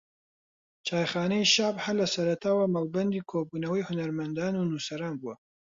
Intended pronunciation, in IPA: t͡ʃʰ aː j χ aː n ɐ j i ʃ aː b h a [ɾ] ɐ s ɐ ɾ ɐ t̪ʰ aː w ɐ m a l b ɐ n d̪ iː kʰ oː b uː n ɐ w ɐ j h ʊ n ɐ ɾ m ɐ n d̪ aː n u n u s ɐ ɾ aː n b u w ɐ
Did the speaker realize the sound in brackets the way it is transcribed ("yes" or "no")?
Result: no